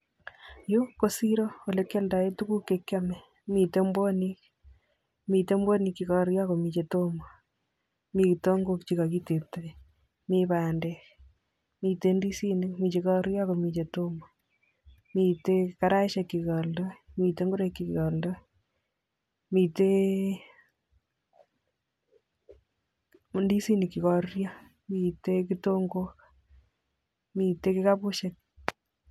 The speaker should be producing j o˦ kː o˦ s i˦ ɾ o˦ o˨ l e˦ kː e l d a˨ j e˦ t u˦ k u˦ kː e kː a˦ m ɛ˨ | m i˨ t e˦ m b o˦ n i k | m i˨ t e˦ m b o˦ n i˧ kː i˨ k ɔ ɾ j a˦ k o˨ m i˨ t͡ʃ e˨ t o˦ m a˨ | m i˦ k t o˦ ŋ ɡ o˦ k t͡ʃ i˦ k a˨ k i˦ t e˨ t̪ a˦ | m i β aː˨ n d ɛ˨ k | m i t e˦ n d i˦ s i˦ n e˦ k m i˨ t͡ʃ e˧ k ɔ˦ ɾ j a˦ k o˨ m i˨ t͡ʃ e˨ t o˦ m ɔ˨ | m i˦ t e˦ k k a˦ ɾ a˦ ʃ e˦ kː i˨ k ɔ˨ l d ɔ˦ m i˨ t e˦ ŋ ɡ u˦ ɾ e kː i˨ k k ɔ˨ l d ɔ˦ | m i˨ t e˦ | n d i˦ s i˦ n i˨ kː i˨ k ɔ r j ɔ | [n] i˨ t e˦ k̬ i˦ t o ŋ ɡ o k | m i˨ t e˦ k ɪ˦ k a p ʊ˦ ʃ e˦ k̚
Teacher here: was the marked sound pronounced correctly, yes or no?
no